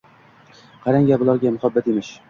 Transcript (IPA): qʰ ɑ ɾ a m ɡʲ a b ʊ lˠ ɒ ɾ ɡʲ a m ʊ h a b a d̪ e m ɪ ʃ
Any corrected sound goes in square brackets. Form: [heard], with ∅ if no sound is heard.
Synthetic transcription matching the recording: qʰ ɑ ɾ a [ŋ] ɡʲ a b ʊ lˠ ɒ ɾ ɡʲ a m ʊ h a [bː] a [t̪] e m ɪ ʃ